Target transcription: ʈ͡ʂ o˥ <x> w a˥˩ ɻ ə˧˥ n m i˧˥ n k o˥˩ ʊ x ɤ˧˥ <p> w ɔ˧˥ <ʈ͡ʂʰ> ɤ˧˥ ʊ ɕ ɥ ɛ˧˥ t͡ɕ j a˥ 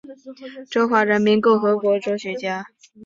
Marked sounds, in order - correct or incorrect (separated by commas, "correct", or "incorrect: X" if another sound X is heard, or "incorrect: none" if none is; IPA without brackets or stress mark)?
correct, incorrect: k, incorrect: ʈ͡ʂ